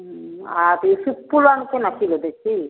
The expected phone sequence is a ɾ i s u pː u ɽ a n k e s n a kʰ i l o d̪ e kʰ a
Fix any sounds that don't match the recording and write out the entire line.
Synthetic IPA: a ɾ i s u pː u l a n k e n a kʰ i l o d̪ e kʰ i